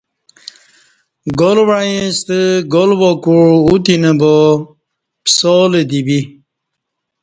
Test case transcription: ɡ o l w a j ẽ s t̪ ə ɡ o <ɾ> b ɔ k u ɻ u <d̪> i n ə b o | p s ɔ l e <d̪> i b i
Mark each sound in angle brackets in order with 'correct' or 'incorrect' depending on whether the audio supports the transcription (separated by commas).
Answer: incorrect, incorrect, correct